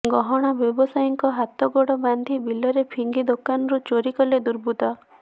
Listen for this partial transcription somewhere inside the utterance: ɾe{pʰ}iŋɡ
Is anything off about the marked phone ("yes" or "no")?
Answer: no